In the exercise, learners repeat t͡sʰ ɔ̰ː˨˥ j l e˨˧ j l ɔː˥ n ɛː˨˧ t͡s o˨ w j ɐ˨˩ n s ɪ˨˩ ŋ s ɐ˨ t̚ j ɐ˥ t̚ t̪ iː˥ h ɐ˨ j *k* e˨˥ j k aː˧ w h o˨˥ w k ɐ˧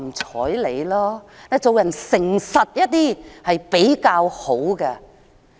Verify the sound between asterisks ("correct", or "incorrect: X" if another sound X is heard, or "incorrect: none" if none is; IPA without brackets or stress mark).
incorrect: p